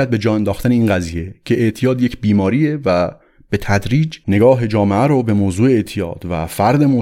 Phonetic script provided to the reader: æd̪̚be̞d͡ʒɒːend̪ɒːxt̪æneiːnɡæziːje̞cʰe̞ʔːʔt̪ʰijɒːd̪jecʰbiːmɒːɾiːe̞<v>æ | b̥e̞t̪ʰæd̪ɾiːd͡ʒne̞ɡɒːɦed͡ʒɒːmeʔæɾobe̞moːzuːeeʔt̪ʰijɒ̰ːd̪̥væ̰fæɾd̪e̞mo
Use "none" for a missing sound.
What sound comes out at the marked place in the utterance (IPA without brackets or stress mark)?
v